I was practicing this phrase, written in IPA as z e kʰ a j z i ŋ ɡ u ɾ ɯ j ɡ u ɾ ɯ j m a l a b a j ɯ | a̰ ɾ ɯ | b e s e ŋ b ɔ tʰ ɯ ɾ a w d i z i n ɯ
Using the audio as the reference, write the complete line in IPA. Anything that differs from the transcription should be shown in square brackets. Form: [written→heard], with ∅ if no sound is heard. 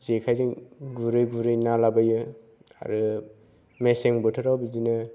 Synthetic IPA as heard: z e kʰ a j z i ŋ ɡ u ɾ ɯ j ɡ u ɾ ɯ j [m→n] a l a b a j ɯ | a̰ ɾ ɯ | [b→m] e s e ŋ b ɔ tʰ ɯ ɾ a w [d→b] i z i n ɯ